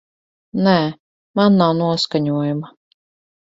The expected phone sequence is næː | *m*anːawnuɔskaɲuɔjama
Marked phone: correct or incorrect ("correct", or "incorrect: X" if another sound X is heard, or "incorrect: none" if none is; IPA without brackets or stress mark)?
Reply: correct